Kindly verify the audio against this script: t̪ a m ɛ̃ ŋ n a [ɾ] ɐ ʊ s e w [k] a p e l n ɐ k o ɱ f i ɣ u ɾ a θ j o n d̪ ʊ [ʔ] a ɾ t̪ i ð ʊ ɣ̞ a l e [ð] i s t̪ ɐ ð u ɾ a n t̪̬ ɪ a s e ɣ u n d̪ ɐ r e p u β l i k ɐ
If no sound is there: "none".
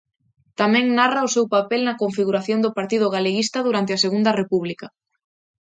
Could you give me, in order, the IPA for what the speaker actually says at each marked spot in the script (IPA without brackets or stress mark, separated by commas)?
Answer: r, p, p, ɣ